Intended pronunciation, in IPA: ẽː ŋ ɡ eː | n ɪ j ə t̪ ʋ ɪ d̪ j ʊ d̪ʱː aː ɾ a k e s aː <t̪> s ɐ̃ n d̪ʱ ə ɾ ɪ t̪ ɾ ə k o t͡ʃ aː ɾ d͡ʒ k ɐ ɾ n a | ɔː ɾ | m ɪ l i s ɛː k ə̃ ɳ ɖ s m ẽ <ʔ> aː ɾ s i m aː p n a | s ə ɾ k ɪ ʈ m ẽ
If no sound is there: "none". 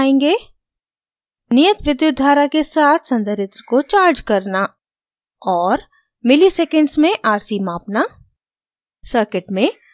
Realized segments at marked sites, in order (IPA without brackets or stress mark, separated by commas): t̪ʰ, ʔ